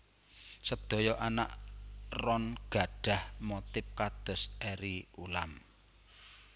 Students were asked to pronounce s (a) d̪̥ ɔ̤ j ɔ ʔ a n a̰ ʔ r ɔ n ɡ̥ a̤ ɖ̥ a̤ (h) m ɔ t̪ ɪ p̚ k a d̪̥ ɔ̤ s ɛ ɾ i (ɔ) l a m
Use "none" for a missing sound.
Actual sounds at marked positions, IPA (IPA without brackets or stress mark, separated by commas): ə, h, u